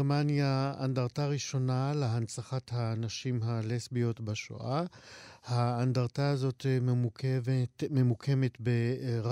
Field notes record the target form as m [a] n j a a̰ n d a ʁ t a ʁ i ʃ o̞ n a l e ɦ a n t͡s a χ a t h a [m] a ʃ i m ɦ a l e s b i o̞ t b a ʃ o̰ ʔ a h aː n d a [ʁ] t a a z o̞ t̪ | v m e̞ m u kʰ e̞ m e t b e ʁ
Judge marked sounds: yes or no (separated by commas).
yes, no, yes